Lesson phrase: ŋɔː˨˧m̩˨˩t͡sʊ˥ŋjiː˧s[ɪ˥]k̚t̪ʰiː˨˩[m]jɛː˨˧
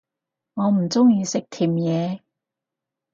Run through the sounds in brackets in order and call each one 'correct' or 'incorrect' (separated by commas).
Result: incorrect, correct